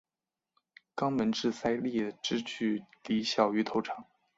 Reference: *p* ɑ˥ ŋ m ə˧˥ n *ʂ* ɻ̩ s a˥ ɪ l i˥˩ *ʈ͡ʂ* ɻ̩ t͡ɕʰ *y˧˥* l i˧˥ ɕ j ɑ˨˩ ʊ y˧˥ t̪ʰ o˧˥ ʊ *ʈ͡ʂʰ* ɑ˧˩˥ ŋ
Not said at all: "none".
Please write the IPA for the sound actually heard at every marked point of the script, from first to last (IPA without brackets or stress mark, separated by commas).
k, ʈ͡ʂ, ʈ͡ʂ, y˥˩, ʈ͡ʂʰ